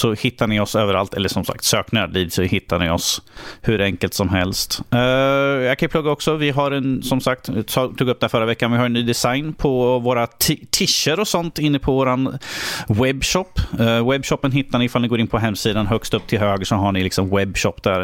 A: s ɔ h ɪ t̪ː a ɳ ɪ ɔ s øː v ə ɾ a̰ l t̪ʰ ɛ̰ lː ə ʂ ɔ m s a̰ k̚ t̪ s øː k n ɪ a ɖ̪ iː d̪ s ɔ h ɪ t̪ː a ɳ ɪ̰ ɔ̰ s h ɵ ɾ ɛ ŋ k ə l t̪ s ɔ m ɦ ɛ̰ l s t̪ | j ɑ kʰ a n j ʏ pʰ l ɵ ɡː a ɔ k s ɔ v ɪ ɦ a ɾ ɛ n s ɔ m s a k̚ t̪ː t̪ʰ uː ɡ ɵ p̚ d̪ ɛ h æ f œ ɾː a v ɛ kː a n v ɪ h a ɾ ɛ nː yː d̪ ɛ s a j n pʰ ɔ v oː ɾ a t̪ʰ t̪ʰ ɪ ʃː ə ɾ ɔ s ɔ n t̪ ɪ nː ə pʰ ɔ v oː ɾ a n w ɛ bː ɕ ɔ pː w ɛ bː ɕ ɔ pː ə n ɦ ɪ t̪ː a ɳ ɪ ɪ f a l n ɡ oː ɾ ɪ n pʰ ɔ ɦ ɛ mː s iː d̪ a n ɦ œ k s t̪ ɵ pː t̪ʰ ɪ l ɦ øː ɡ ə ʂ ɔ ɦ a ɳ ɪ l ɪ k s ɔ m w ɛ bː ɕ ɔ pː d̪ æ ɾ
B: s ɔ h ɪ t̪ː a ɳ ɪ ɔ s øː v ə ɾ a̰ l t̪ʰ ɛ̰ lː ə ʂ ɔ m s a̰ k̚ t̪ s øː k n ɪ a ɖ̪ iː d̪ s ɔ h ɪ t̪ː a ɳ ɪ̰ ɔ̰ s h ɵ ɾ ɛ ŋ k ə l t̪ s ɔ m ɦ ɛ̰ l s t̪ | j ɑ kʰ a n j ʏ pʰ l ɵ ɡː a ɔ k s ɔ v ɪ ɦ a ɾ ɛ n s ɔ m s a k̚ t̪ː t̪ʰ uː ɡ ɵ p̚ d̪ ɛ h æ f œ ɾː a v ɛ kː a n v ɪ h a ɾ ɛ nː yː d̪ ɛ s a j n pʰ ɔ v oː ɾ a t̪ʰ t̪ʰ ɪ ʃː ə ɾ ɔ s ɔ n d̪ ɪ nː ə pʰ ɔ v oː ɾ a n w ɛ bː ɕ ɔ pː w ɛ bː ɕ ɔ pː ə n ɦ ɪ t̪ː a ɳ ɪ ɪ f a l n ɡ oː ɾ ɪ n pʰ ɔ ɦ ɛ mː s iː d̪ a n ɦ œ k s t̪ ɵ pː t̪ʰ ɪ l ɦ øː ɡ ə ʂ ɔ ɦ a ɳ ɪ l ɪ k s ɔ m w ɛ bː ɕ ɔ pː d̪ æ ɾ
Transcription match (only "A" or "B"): A